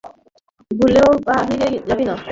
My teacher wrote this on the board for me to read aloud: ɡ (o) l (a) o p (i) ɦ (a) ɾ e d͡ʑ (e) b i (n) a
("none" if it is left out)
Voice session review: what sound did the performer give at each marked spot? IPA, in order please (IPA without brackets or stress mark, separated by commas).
u, e, a, i, a, n